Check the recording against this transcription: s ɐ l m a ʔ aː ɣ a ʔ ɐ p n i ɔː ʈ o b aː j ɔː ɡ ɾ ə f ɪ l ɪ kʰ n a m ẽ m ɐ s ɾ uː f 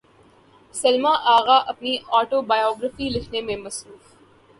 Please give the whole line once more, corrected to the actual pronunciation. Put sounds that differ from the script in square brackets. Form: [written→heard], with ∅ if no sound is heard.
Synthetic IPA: s ɐ l m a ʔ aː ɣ a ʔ ɐ p n i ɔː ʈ o b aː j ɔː ɡ ɾ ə f [ɪ→i] l ɪ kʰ n [a→e] m ẽ m ɐ s ɾ uː f